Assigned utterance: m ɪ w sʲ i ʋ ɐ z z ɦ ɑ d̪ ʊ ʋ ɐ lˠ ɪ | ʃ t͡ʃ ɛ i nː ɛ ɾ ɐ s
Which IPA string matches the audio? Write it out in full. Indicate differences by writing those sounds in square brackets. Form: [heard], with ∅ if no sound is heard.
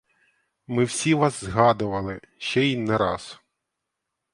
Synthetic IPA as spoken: m ɪ w sʲ i ʋ [ɑ] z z ɦ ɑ d̪ ʊ ʋ ɐ lˠ ɪ | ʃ t͡ʃ ɛ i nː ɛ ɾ [ɑ] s